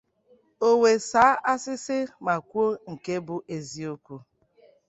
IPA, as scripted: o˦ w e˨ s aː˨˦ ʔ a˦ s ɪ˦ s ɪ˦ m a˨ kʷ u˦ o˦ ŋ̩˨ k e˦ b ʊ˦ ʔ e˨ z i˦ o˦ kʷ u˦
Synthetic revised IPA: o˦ w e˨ s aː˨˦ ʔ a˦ s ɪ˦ s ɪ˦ m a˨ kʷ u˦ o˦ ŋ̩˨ k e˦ b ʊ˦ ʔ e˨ z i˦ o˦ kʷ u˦